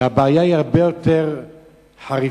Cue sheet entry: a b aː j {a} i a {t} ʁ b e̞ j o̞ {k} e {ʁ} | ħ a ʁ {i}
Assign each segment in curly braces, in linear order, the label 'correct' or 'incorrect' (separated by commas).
correct, incorrect, incorrect, correct, correct